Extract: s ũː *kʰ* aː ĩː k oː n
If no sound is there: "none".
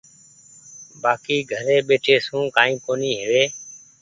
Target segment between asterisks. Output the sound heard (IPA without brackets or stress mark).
k